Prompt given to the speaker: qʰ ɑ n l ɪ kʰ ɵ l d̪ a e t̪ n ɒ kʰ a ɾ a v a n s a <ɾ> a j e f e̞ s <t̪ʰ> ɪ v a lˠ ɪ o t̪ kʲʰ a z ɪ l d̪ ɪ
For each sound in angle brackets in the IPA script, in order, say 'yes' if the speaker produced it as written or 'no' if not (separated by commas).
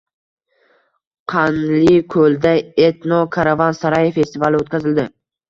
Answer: yes, no